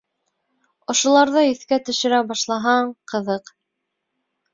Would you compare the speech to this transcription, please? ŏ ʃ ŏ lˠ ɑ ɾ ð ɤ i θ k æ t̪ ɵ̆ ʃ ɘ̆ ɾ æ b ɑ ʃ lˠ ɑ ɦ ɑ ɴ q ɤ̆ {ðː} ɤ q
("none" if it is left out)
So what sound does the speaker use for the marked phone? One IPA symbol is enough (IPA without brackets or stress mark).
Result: ð